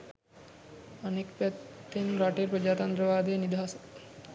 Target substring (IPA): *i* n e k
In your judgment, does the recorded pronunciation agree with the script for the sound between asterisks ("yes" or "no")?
no